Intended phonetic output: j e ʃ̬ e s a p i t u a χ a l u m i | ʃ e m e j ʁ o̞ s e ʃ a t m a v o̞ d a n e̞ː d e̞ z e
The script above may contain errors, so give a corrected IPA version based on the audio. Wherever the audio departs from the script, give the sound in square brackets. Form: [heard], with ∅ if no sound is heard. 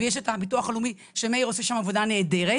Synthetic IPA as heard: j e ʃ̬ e [t] a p i t u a χ a l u m i | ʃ e m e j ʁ o̞ s e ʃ a [∅] m a v o̞ d a n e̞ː d e̞ [ʁ] e